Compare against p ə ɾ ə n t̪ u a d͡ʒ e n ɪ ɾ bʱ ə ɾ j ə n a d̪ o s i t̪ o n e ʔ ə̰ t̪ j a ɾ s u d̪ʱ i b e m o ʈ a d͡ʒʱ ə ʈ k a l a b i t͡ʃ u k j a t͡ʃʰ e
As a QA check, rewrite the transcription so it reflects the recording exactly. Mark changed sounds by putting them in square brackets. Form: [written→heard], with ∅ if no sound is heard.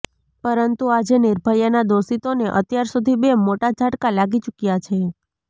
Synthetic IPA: p ə ɾ ə n t̪ u a d͡ʒ e n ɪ ɾ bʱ ə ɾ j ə n a d̪ o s i t̪ o n e ʔ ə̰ t̪ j a ɾ s u d̪ʱ i b e m o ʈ a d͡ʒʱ [ə→a] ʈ k a l a [b→ɡ] i t͡ʃ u k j a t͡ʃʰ e

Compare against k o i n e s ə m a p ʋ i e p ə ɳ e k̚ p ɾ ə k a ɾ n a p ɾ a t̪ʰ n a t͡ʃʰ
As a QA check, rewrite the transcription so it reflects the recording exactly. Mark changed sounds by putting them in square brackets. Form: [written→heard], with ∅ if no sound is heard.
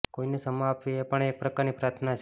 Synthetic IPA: k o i n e s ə m a p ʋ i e p ə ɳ e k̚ p ɾ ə k a ɾ n [a→i] p ɾ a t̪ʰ n a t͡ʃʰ

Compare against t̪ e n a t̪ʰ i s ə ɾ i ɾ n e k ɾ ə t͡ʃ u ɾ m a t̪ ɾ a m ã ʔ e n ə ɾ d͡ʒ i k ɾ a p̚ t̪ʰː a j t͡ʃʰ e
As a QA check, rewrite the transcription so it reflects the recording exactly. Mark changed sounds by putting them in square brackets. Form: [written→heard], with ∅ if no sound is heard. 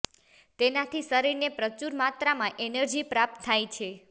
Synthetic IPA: t̪ e n a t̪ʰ i s ə ɾ i ɾ n e [k→p] ɾ ə t͡ʃ u ɾ m a t̪ ɾ a m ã ʔ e n ə ɾ d͡ʒ i [k→p] ɾ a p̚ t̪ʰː a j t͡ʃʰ e

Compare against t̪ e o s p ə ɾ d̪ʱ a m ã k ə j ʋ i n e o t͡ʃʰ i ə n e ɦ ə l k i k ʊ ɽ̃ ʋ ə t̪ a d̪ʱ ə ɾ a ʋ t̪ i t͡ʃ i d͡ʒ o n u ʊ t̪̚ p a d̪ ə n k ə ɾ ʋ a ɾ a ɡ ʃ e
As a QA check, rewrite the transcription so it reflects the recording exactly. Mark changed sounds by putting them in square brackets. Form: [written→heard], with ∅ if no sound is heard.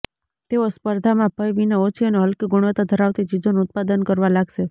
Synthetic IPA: t̪ e o s p ə ɾ d̪ʱ a m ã [k→p] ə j ʋ i n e o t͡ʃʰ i ə n e ɦ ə l k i [k→ɡ] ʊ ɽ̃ ʋ ə t̪ a d̪ʱ ə ɾ a ʋ t̪ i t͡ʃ i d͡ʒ o n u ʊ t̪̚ p a d̪ ə n k ə ɾ ʋ a [ɾ→l] a ɡ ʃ e

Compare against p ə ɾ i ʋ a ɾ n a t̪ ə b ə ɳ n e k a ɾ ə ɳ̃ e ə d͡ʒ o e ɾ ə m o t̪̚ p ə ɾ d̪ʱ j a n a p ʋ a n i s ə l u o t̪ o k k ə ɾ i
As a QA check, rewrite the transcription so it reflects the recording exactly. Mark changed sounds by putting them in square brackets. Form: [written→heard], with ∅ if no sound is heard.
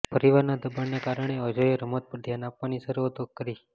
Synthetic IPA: p ə ɾ i ʋ a ɾ n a [t̪→d̪] ə b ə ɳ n e k a ɾ ə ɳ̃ e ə d͡ʒ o e ɾ ə m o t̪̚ p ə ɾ d̪ʱ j a n a p ʋ a n i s ə [l→ɾ] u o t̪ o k k ə ɾ i

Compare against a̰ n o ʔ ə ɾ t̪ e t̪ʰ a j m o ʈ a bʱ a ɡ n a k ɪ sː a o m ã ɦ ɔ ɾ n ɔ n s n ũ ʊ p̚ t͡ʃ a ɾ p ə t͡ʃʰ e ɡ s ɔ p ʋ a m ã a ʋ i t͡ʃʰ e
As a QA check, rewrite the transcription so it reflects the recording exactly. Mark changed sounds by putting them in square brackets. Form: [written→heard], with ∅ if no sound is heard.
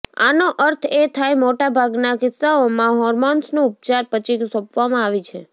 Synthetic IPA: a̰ n o ʔ ə ɾ [t̪→t̪ʰ] e t̪ʰ a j m o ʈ a bʱ a ɡ n a k ɪ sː a o m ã ɦ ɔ ɾ [n→m] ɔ n s n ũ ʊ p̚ t͡ʃ a ɾ p ə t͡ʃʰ [e→i] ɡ s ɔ p ʋ a m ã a ʋ i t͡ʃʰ e

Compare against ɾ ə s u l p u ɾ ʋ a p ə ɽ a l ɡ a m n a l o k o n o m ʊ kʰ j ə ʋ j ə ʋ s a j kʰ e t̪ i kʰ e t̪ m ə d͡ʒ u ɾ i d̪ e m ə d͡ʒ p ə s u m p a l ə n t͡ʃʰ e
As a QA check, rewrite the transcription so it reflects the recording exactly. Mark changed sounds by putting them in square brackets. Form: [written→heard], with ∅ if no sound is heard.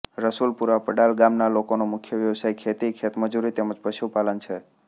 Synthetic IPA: ɾ ə s u l p u ɾ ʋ a p ə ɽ a l ɡ a m n a l o k o n o m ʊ kʰ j ə ʋ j ə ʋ s a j kʰ e t̪ i kʰ e t̪ m ə d͡ʒ u ɾ i [d̪→t̪] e m ə d͡ʒ p ə [s→ʃ] u [m→∅] p a l ə n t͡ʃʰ e

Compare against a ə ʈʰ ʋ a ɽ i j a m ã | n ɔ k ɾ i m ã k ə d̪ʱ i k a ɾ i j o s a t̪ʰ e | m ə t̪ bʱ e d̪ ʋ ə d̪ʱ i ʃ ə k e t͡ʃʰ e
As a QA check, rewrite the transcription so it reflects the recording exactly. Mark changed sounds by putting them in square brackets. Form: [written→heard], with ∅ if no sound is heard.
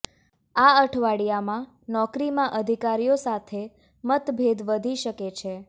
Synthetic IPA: a ə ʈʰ ʋ a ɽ i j a m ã | n ɔ k ɾ i m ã [k→ʔ] ə d̪ʱ i k a ɾ i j o s a t̪ʰ e | m ə t̪ bʱ e d̪ ʋ ə d̪ʱ i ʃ ə k e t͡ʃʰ e

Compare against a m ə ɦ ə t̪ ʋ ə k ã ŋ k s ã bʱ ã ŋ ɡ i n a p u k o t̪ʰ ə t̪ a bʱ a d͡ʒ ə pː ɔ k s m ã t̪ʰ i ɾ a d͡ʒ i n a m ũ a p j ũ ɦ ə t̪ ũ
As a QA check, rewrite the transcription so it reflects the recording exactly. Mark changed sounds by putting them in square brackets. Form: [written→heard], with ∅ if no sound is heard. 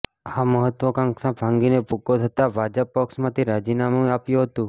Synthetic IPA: a m ə ɦ ə t̪ ʋ ə k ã ŋ k s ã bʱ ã ŋ ɡ i n [a→e] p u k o t̪ʰ ə t̪ a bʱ a d͡ʒ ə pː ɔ k s m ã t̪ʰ i ɾ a d͡ʒ i n a m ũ a p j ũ ɦ ə t̪ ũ

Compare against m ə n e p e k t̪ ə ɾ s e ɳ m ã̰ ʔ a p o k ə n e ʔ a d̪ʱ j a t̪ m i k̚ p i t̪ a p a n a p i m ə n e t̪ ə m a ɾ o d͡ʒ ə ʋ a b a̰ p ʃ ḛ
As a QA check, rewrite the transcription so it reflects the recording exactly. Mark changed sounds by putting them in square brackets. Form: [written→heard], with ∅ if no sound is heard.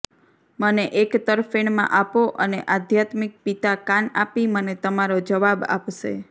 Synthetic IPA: m ə n e [p→ʔ] e k t̪ ə ɾ [s→f] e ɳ m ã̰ ʔ a p o [k→ʔ] ə n e ʔ a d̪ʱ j a t̪ m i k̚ p i t̪ a [p→k] a n a p i m ə n e t̪ ə m a ɾ o d͡ʒ ə ʋ a b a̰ p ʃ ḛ

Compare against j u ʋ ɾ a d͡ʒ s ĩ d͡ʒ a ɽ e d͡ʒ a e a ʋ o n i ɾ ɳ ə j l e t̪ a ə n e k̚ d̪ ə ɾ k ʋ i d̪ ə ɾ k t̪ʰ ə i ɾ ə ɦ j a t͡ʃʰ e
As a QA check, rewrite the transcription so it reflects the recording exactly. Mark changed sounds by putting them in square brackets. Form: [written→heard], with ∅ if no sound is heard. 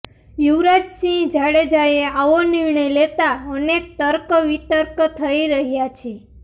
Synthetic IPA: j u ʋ ɾ a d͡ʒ s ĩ d͡ʒ a ɽ e d͡ʒ a e a ʋ o n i ɾ ɳ ə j l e t̪ a ə n e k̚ [d̪→t̪] ə ɾ k ʋ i [d̪→t̪] ə ɾ k t̪ʰ ə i ɾ ə ɦ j a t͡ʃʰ e

